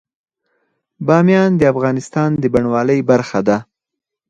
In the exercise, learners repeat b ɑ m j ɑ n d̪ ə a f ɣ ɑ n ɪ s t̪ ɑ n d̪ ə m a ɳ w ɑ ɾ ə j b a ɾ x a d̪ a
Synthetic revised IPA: b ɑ m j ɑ n d̪ ə a f ɣ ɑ n ɪ s t̪ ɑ n d̪ ə b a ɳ w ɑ l ə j b a ɾ x a d̪ a